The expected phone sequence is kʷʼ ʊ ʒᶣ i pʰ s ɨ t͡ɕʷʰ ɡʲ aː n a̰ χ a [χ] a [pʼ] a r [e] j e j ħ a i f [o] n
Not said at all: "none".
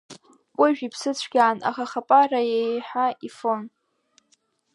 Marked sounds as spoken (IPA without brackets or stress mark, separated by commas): χ, pʼ, a, o